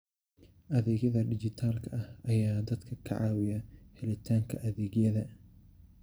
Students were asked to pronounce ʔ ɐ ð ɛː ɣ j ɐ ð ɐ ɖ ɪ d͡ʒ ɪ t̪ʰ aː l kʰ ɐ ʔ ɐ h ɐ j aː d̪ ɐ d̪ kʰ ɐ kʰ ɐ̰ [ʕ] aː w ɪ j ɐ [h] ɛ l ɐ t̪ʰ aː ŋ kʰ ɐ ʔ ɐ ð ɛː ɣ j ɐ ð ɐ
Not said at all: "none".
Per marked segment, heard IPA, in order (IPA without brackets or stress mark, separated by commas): ʕ, h